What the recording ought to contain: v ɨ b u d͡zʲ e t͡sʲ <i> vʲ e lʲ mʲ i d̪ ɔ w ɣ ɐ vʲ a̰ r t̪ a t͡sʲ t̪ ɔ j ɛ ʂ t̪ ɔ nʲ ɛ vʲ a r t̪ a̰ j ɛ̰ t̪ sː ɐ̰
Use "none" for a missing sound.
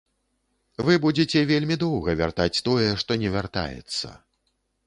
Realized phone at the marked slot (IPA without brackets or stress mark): ɛ